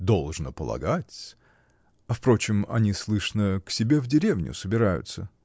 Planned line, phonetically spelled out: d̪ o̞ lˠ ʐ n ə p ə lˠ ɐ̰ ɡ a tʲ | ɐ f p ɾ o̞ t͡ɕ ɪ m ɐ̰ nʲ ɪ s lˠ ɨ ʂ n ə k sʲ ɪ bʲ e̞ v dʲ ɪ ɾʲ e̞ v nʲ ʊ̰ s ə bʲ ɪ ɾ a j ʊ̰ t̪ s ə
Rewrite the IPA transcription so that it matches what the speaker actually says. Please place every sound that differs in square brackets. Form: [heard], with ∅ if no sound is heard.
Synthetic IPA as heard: d̪ o̞ lˠ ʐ n ə p ə lˠ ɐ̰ ɡ a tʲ | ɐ f p ɾ o̞ t͡ɕ ɪ m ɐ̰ nʲ [i] s lˠ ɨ ʂ n ə k sʲ ɪ bʲ e̞ v dʲ ɪ ɾʲ e̞ v nʲ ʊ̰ s ə bʲ ɪ ɾ a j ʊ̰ t̪ s ə